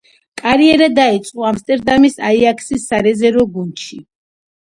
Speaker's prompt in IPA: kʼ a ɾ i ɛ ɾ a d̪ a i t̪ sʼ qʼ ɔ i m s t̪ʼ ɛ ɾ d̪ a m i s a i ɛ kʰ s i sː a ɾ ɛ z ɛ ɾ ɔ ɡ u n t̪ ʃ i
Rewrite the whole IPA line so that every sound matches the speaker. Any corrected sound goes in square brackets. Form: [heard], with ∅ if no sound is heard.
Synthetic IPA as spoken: kʼ a ɾ i ɛ ɾ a d̪ a i t̪ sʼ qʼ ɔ [a] m s t̪ʼ ɛ ɾ d̪ a m i s a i [a] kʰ s i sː a ɾ ɛ z ɛ ɾ ɔ ɡ u n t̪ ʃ i